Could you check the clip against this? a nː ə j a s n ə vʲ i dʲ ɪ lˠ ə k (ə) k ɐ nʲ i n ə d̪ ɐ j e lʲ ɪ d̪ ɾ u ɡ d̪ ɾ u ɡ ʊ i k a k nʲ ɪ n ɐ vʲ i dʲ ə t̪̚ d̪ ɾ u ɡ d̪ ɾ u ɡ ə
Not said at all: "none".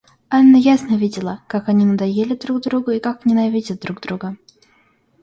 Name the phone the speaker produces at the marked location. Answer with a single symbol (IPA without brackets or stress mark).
a